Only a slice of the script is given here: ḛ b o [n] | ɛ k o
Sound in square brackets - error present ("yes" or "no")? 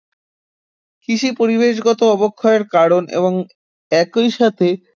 yes